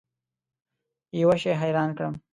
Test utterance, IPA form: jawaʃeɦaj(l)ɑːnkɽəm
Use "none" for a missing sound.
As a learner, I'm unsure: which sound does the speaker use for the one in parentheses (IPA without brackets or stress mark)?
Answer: ɾ